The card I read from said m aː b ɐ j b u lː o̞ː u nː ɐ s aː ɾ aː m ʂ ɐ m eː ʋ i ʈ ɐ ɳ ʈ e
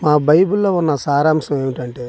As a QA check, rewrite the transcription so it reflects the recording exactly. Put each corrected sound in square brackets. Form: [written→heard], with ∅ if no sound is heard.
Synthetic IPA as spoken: m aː b ɐ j b u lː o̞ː u nː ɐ s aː ɾ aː m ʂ ɐ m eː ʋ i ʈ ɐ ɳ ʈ e

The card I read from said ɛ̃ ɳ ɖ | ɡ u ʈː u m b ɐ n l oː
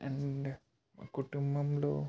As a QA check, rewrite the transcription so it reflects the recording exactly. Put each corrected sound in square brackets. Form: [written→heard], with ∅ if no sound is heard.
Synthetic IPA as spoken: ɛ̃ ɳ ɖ | [ɡ→k] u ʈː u m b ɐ [n→m] l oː

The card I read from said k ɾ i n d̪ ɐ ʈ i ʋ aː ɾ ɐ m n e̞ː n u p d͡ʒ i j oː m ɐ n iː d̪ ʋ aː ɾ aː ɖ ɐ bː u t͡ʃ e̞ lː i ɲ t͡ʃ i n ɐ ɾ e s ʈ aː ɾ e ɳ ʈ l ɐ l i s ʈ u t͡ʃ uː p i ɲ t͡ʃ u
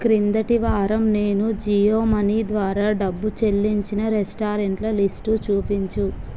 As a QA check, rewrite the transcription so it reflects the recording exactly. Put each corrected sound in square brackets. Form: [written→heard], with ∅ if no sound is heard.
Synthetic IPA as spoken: k ɾ i n d̪ ɐ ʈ i ʋ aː ɾ ɐ m n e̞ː n u [p→∅] d͡ʒ i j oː m ɐ n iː d̪ ʋ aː ɾ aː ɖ ɐ bː u t͡ʃ e̞ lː i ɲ t͡ʃ i n ɐ ɾ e s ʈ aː ɾ e ɳ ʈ l ɐ l i s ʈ u t͡ʃ uː p i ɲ t͡ʃ u

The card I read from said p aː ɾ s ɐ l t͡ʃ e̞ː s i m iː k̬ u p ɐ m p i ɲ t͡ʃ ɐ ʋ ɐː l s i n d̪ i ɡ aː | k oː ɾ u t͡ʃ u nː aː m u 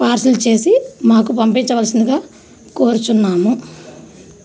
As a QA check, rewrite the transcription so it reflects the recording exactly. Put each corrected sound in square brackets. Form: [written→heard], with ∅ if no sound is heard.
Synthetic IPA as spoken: p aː ɾ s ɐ l t͡ʃ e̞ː s i m [iː→aː] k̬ u p ɐ m p i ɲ t͡ʃ ɐ ʋ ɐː l s i n d̪ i ɡ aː | k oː ɾ u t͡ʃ u nː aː m u

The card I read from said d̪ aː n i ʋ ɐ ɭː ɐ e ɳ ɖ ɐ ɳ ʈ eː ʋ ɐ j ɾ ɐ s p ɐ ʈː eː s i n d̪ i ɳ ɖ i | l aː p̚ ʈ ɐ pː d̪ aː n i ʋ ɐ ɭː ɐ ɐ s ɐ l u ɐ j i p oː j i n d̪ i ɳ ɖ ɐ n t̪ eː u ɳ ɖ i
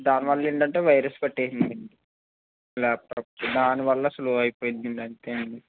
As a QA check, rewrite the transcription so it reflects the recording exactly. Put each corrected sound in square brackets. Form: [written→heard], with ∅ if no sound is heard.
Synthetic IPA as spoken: d̪ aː n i ʋ ɐ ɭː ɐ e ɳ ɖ ɐ ɳ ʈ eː ʋ ɐ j ɾ ɐ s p ɐ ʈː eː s i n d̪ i ɳ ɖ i | l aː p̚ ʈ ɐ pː d̪ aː n i ʋ ɐ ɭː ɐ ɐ s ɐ l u ɐ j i p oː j i n d̪ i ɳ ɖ ɐ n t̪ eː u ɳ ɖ i

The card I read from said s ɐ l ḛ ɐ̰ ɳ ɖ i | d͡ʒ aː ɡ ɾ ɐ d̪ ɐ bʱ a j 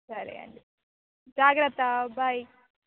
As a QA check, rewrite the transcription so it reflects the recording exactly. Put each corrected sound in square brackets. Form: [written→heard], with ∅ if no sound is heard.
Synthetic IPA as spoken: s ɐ [l→ɾ] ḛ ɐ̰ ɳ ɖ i | d͡ʒ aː ɡ ɾ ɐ [d̪→t̪] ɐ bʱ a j

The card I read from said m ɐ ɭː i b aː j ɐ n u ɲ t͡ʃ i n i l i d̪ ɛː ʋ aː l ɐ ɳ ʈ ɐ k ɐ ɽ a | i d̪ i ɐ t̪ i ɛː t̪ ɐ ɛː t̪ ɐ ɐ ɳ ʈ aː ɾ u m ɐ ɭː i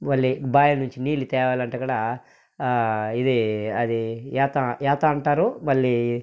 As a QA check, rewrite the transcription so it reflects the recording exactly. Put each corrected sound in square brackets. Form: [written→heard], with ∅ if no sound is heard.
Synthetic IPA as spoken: m ɐ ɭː i b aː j ɐ n u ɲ t͡ʃ i n [i→iː] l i [d̪→t̪] ɛː ʋ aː l ɐ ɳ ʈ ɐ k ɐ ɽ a | i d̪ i ɐ [t̪→d̪] i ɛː t̪ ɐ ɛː t̪ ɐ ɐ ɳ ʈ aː ɾ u m ɐ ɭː i

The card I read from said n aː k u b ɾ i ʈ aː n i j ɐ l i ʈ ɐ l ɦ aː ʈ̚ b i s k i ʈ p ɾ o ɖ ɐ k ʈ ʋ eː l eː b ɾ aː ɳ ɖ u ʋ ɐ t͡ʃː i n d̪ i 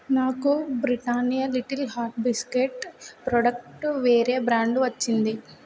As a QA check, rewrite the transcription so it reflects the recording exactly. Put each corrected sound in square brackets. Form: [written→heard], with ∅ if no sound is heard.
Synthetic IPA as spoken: n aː k u b ɾ i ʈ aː n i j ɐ l i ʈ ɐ l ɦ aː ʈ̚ b i s k [i→e] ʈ p ɾ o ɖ ɐ k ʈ ʋ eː [l→ɾ] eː b ɾ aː ɳ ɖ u ʋ ɐ t͡ʃː i n d̪ i

